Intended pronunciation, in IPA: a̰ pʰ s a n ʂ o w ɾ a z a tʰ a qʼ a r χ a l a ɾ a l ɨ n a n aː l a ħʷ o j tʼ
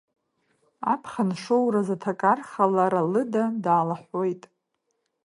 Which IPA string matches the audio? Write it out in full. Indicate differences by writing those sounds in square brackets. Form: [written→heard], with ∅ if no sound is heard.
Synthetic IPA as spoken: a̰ pʰ [s→χ] a n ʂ o w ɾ a z a tʰ a [qʼ→kʼ] a r χ a l a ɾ a l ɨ [n→d] a [n→d] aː l a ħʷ o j tʼ